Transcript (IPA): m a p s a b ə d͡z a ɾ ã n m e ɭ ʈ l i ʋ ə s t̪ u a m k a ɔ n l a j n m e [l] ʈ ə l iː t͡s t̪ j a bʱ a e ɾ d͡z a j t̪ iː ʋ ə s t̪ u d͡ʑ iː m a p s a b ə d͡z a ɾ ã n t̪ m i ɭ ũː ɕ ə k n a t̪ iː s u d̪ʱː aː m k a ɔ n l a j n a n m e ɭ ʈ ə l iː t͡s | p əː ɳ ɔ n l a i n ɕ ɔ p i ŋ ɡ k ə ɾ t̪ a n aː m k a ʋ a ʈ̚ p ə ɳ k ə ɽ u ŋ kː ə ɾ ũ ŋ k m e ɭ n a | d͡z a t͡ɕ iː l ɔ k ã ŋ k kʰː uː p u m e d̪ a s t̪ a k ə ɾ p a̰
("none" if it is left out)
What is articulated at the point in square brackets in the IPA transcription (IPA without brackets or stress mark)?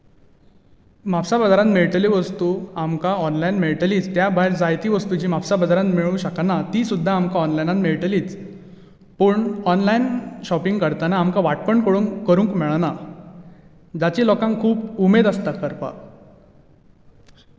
ɭ